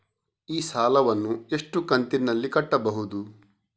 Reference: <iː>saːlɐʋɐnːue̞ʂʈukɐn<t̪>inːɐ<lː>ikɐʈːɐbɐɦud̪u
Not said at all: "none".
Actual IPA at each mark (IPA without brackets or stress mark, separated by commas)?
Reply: iː, t̪, lː